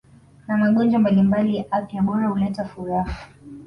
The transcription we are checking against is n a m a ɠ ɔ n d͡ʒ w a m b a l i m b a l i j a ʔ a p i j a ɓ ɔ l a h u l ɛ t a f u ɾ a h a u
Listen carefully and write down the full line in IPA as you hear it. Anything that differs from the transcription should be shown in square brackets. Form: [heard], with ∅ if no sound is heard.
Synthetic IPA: n a m a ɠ ɔ n d͡ʒ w a m b a l i m b a l i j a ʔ a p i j a ɓ ɔ [ɾ] a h u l ɛ t a f u ɾ a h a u